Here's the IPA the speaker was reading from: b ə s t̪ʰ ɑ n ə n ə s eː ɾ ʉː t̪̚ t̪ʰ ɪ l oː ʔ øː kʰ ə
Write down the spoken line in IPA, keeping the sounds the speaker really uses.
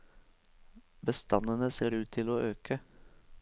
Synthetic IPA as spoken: b ə s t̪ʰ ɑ n ə n ə s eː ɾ ʉː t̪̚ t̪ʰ ɪ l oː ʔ øː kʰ ə